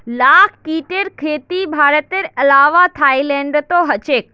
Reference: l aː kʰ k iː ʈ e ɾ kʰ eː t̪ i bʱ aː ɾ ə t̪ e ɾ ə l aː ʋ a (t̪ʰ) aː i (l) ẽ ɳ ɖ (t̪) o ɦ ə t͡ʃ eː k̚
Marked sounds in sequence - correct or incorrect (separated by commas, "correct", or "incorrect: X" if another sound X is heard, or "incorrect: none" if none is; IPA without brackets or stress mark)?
correct, correct, correct